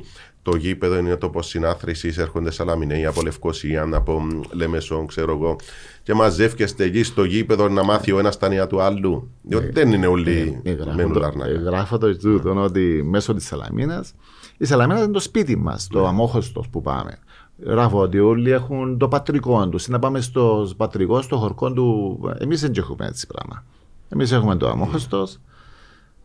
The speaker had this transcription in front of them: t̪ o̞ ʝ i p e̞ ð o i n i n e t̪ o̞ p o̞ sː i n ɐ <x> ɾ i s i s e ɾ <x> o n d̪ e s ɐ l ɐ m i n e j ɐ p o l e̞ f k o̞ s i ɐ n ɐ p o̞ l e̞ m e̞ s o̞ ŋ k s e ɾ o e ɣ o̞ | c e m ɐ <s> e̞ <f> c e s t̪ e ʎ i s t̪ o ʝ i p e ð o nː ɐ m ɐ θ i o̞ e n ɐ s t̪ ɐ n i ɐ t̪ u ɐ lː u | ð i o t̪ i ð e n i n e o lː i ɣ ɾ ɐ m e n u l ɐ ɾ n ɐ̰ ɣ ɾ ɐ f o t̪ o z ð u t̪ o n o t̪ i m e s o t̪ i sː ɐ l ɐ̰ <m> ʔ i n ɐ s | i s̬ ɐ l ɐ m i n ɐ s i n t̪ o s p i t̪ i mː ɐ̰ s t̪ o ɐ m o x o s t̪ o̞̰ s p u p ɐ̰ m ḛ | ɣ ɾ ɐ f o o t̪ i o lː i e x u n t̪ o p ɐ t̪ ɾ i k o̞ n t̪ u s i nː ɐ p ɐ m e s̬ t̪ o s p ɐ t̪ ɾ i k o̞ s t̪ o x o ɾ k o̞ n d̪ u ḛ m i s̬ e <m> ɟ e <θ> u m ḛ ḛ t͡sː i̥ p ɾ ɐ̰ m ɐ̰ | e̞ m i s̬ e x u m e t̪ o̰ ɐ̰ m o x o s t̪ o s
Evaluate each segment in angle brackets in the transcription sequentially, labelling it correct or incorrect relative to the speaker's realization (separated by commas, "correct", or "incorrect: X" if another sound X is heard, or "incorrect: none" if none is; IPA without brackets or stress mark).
incorrect: θ, correct, incorrect: z, correct, correct, incorrect: ɲ, incorrect: x